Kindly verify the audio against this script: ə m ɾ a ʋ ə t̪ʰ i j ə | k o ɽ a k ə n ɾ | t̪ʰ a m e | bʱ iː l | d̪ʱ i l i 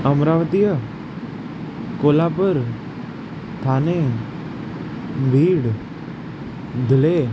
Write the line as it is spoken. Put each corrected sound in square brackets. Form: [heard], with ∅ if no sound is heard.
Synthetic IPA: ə m ɾ a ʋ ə [t̪] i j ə | k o [l] a [p] ə [∅] ɾ | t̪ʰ a [n] e | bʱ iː [ɽ] | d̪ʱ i l [e]

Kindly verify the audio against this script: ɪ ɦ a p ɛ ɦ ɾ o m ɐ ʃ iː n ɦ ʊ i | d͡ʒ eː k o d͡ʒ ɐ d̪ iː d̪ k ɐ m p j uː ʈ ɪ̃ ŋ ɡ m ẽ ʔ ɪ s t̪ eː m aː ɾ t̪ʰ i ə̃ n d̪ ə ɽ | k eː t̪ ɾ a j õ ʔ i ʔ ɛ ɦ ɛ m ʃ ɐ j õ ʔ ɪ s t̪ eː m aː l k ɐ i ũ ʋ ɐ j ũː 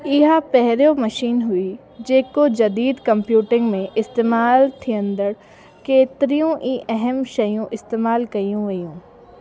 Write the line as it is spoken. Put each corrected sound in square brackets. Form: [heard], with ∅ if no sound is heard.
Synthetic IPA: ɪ ɦ a p ɛ ɦ ɾ o m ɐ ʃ iː n ɦ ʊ i | d͡ʒ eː k o d͡ʒ ɐ d̪ iː d̪ k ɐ m p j uː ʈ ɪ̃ ŋ ɡ m ẽ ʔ ɪ s t̪ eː m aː [l] t̪ʰ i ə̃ n d̪ ə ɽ | k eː t̪ ɾ [i] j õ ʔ i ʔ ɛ ɦ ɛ m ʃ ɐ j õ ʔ ɪ s t̪ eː m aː l k ɐ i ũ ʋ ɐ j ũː

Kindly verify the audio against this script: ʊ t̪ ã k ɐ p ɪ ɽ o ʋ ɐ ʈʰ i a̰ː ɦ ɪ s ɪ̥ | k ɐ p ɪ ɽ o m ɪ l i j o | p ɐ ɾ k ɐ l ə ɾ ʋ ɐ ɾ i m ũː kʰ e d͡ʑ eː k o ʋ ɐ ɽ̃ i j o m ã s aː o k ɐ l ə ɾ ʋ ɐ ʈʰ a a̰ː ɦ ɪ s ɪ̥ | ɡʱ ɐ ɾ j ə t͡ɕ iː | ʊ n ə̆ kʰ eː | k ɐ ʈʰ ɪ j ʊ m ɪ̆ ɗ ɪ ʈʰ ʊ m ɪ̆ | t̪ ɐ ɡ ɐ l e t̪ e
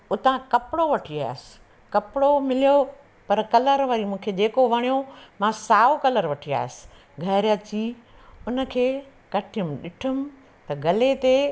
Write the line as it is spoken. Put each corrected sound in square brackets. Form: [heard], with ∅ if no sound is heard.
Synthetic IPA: ʊ t̪ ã k ɐ p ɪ ɽ o ʋ ɐ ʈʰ i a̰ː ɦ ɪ s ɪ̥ | k ɐ p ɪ ɽ o m ɪ l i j o | p ɐ ɾ k ɐ l ə ɾ ʋ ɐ ɾ i m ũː kʰ e d͡ʑ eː k o ʋ ɐ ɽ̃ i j o m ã s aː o k ɐ l ə ɾ ʋ ɐ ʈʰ [i] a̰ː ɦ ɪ s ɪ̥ | ɡʱ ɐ ɾ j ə t͡ɕ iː | ʊ n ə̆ kʰ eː | k ɐ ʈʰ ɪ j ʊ m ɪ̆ ɗ ɪ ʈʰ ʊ m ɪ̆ | t̪ ɐ ɡ ɐ l e t̪ e

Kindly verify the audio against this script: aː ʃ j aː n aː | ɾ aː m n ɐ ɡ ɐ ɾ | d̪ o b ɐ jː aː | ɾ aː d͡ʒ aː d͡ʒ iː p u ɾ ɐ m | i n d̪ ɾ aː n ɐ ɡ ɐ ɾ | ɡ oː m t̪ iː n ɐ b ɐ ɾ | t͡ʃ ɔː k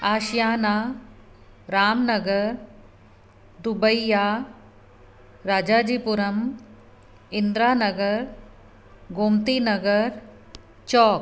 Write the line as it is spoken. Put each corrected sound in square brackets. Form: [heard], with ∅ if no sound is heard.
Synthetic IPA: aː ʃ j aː n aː | ɾ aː m n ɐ ɡ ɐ ɾ | d̪ [u] b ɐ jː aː | ɾ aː d͡ʒ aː d͡ʒ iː p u ɾ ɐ m | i n d̪ ɾ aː n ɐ ɡ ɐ ɾ | ɡ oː m t̪ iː n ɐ [ɡ] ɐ ɾ | t͡ʃ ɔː k

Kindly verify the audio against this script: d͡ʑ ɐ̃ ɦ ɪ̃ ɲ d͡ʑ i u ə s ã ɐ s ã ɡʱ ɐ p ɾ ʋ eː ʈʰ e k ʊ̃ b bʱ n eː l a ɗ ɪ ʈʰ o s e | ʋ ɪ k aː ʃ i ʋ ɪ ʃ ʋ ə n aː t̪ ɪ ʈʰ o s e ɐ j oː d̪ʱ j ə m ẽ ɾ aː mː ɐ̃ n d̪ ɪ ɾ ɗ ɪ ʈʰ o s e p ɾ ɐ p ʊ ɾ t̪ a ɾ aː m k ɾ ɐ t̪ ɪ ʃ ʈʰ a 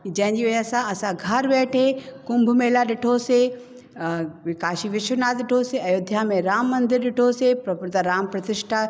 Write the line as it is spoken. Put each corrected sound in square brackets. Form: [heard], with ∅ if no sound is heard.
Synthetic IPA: d͡ʑ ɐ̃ ɦ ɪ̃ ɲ d͡ʑ i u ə s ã ɐ s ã ɡʱ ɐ [∅] ɾ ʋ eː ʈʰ e k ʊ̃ [m] bʱ [m] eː l a ɗ ɪ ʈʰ o s e | ʋ ɪ k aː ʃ i ʋ ɪ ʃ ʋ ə n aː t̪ ɪ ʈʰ o s e ɐ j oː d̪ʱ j [a] m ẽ ɾ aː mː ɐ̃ n d̪ ɪ ɾ ɗ ɪ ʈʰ o s e p ɾ ɐ p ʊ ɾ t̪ a ɾ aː m [p] ɾ ɐ t̪ ɪ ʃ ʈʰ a

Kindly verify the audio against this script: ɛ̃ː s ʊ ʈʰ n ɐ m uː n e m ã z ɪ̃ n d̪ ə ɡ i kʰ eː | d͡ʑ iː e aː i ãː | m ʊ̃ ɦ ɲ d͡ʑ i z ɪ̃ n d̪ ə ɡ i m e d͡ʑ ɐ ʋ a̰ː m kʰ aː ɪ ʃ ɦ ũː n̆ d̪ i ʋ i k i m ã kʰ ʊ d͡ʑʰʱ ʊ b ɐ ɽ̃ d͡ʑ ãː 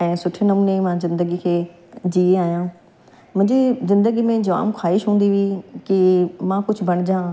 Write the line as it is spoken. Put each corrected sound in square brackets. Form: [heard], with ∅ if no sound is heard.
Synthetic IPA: ɛ̃ː s ʊ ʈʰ n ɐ m uː n e m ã z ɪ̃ n d̪ ə ɡ i kʰ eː | d͡ʑ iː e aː [j] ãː | m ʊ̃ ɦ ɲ d͡ʑ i z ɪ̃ n d̪ ə ɡ i m [ẽ] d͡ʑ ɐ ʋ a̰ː m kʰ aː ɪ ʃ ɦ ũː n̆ d̪ i ʋ i k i m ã [k] ʊ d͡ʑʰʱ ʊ b ɐ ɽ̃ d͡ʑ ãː

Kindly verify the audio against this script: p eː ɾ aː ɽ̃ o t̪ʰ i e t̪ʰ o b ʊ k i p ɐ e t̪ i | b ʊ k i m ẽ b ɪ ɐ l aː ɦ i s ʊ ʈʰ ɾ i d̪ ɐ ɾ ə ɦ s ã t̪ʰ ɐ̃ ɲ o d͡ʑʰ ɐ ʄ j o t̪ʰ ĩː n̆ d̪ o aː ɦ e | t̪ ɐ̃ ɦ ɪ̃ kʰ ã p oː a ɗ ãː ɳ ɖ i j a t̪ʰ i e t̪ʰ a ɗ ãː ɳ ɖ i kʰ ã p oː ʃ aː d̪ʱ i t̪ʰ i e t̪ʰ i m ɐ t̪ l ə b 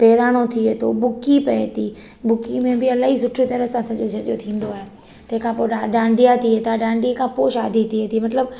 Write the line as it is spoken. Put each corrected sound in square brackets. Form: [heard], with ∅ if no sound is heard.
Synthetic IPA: p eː ɾ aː ɽ̃ o t̪ʰ i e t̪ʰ o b ʊ k i p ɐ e t̪ i | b ʊ k i m ẽ b ɪ ɐ l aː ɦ i s ʊ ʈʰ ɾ i [t̪] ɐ ɾ ə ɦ s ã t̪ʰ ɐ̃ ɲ o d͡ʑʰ ɐ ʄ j o t̪ʰ ĩː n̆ d̪ o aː ɦ e | t̪ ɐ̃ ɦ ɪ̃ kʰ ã p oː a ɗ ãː ɳ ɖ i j a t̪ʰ i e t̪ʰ a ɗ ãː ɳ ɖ i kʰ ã p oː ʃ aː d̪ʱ i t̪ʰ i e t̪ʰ i m ɐ t̪ l ə b

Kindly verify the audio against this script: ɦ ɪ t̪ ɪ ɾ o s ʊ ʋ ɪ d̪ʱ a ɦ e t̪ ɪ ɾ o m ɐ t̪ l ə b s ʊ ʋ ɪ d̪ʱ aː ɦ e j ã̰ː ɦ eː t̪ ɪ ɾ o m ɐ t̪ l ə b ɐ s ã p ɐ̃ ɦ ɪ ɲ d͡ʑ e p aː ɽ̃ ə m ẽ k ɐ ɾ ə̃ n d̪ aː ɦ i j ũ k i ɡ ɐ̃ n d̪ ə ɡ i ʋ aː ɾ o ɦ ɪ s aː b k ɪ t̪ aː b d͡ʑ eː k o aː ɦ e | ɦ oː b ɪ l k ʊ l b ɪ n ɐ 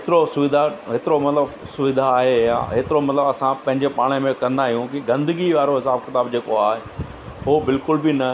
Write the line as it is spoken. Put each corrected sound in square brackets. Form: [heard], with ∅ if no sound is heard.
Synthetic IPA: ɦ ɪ t̪ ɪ ɾ o s ʊ ʋ ɪ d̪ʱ a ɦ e t̪ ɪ ɾ o m ɐ t̪ l ə b s ʊ ʋ ɪ d̪ʱ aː ɦ e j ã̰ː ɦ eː t̪ ɪ ɾ o m ɐ t̪ l ə b ɐ s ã p ɐ̃ ɦ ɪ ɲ d͡ʑ e p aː ɽ̃ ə m ẽ k ɐ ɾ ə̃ n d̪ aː ɦ i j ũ k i ɡ ɐ̃ n d̪ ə ɡ i ʋ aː ɾ o ɦ ɪ s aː b k ɪ t̪ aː b d͡ʑ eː k o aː ɦ e | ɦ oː b ɪ l k ʊ l b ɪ n ɐ

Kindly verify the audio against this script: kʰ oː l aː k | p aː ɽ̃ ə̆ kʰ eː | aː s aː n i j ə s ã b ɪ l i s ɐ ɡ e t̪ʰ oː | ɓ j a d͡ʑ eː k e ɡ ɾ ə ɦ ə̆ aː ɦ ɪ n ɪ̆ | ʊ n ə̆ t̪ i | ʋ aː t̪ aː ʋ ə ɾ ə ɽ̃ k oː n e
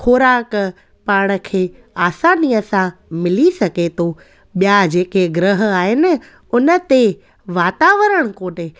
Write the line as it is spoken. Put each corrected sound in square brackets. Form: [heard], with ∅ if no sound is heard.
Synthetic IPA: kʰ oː [ɾ] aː k | p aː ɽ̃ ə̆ kʰ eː | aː s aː n i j ə s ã [m] ɪ l i s ɐ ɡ e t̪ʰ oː | ɓ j a d͡ʑ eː k e ɡ ɾ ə ɦ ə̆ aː ɦ ɪ n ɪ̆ | ʊ n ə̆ t̪ [e] | ʋ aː t̪ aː ʋ ə ɾ ə ɽ̃ k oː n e

